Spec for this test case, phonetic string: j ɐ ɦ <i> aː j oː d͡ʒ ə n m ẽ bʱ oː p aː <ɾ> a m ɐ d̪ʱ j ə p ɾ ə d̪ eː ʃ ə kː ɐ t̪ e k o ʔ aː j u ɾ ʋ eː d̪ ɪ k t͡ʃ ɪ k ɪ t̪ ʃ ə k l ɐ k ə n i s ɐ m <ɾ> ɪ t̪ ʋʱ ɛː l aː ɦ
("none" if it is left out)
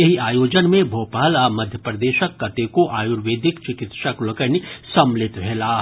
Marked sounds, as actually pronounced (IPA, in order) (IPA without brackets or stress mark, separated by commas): i, l, l